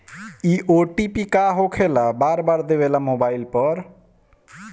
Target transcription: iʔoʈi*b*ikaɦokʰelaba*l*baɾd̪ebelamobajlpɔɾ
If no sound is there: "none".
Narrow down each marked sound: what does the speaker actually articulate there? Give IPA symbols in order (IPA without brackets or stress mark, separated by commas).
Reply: p, ɾ